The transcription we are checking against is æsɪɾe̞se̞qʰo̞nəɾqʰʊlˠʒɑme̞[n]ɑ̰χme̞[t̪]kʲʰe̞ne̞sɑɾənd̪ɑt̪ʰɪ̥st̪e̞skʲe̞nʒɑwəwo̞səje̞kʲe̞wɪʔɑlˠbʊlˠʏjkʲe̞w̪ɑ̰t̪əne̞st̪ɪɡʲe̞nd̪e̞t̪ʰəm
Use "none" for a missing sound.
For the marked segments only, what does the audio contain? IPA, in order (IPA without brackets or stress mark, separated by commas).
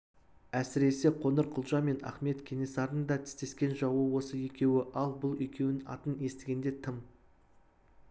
n, t̪